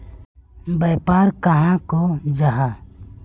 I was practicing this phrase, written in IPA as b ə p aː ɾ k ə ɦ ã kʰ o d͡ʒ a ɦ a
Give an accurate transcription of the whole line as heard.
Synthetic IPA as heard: b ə p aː ɾ k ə ɦ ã k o d͡ʒ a ɦ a